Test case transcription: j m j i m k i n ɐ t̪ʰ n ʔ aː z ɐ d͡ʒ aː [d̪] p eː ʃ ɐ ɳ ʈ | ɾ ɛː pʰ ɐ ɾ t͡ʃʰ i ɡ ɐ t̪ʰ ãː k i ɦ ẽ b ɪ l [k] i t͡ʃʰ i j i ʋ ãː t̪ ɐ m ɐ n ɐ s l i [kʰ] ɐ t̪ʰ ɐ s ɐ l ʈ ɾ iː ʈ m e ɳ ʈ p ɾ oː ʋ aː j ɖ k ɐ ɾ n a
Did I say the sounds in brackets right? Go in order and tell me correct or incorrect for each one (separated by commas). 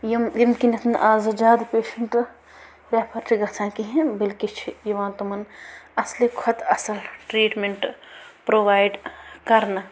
correct, correct, correct